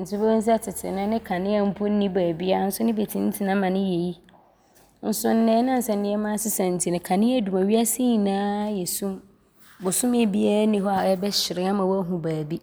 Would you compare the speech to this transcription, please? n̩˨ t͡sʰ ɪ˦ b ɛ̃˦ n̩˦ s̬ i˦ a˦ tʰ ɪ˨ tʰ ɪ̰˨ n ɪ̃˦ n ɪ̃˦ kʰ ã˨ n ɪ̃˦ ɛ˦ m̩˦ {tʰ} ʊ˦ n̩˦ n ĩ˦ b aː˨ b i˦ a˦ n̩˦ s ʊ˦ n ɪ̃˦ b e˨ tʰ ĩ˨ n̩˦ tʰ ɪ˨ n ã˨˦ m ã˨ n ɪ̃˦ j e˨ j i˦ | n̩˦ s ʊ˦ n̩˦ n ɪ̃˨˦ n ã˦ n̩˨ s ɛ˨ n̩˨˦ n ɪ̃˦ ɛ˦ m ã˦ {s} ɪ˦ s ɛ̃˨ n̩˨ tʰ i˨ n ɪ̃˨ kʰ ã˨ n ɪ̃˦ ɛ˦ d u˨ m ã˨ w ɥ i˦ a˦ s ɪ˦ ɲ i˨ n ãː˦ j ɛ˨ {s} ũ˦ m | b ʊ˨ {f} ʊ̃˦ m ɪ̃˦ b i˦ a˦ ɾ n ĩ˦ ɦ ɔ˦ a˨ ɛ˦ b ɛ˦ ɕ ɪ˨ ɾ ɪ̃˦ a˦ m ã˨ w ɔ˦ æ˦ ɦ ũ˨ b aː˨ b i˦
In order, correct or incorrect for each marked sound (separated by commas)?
incorrect, correct, correct, incorrect